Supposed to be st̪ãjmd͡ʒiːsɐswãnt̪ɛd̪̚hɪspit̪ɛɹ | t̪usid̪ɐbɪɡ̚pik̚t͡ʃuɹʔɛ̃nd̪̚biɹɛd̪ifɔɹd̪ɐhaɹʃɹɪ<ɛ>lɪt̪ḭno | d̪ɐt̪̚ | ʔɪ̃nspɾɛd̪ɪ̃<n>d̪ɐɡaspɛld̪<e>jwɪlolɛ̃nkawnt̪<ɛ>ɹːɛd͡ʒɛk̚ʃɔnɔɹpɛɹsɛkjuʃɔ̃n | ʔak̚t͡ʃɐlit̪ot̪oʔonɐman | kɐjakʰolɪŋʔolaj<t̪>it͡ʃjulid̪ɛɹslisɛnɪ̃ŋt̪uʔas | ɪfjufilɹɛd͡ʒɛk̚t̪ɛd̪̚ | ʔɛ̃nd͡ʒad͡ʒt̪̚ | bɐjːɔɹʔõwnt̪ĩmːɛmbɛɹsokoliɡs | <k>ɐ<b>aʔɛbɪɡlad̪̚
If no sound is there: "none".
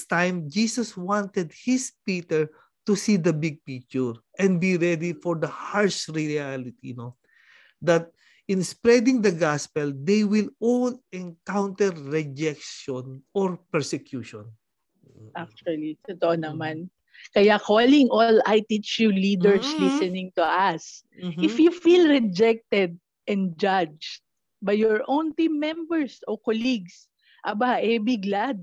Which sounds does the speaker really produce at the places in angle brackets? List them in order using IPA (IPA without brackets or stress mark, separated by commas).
a, ŋ, e, ɛ, t̪, ʔ, b